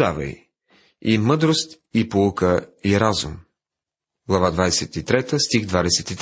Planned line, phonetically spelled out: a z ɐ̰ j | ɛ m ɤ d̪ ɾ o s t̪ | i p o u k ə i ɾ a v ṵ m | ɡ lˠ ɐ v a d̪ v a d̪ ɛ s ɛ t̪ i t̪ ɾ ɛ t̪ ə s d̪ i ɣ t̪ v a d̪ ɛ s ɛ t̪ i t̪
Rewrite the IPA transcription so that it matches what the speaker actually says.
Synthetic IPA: a v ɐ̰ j | i m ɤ d̪ ɾ o s t̪ | i p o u k ə i ɾ a z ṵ m | ɡ lˠ ɐ v a d̪ v a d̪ ɛ s ɛ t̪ i t̪ ɾ ɛ t̪ ə s t̪ i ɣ d̪ v a d̪ ɛ s ɛ t̪ i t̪